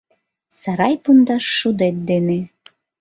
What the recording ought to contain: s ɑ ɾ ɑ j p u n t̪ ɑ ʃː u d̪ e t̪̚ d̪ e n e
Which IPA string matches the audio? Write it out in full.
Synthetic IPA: s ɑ ɾ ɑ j p u n d̪ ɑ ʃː u d̪ e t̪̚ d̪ e n e

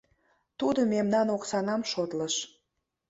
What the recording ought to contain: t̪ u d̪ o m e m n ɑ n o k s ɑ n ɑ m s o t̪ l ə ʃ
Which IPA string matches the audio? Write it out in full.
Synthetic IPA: t̪ u d̪ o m e m n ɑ n o k s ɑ n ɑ m ʃ o t̪ l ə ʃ

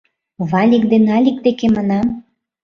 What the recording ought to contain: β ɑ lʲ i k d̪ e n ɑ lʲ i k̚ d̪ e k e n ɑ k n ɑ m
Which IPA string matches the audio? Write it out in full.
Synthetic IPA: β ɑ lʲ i k d̪ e n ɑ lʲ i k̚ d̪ e k e m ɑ n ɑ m

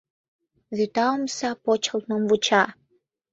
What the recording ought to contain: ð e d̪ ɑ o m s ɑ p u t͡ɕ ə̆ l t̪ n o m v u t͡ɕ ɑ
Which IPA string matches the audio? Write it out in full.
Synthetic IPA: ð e t̪ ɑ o m s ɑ p o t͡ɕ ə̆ l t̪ n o m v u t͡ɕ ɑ

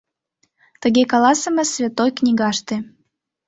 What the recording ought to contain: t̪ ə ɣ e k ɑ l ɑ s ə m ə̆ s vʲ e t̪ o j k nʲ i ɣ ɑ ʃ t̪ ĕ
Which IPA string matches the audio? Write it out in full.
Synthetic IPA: t̪ ə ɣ e k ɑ l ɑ s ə m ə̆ s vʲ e t̪ o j k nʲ i ɣ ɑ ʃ t̪ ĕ

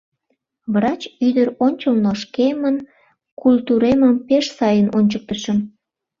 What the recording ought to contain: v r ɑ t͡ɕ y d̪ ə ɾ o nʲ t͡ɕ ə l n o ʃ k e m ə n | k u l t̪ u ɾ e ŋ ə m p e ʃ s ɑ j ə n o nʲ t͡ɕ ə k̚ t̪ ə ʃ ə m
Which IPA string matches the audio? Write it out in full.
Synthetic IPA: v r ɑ t͡ɕ y d̪ ə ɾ o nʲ t͡ɕ ə l n o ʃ k e m ə n | k u l t̪ u ɾ e m ə m p e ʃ s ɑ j ə n o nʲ t͡ɕ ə k̚ t̪ ə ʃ ə m

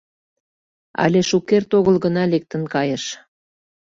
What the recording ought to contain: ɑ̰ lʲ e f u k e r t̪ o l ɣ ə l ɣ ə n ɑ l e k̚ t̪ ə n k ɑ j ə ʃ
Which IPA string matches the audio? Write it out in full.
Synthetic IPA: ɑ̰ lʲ e ʃ u k e r t̪ o ɣ ə l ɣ ə n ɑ l e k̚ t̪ ə n k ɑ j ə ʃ

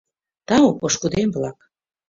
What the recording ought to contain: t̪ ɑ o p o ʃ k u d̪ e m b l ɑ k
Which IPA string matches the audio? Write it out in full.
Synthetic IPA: t̪ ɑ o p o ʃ k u d̪ e m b l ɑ k

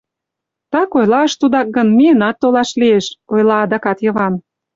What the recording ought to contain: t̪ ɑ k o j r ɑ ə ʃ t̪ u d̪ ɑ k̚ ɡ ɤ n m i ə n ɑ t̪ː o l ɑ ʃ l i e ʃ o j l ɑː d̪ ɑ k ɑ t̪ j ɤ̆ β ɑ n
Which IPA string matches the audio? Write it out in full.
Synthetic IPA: t̪ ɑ k o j l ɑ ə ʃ t̪ u d̪ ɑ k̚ ɡ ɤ n m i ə n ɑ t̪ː o l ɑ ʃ l i e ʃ o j l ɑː d̪ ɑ k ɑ t̪ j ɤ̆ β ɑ n

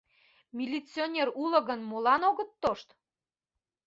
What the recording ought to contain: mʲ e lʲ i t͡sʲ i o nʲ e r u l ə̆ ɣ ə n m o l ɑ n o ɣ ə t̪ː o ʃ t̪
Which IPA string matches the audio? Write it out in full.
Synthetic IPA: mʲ i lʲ i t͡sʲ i o nʲ e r u l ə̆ ɣ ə n m o l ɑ n o ɣ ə t̪ː o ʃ t̪

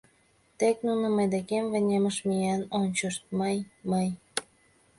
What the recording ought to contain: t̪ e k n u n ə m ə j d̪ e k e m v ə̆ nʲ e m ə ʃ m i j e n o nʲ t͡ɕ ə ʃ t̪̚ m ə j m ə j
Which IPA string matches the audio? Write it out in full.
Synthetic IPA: t̪ e k n u n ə m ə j d̪ e k e m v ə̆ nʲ e m ə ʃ m i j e n o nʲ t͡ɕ ə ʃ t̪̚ m ə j m ə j

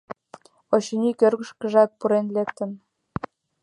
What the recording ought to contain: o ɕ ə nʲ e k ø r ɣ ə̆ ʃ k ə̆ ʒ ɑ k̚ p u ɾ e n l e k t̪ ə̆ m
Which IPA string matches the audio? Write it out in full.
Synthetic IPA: o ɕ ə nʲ i k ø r ɣ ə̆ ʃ k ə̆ ʒ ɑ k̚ p u ɾ e n l e k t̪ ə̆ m

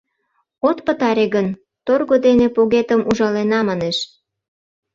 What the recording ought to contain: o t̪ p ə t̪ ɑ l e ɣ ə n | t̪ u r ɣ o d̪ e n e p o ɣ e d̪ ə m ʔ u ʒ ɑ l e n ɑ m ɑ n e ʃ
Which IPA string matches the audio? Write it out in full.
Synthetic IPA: o t̪ p ə t̪ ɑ ɾ e ɣ ə n | t̪ o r ɣ o d̪ e n e p o ɣ e t̪ ə m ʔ u ʒ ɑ l e n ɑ m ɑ n e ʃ

